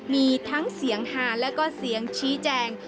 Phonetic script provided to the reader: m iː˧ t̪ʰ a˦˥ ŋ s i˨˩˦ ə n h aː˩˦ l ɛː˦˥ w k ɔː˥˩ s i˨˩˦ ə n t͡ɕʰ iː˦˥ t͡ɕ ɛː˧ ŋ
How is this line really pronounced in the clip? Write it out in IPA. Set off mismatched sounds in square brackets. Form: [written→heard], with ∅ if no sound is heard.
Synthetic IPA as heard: m iː˧ t̪ʰ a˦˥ ŋ s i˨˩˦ ə [n→ŋ] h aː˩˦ l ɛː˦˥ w k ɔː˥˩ s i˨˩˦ ə [n→ŋ] t͡ɕʰ iː˦˥ t͡ɕ ɛː˧ ŋ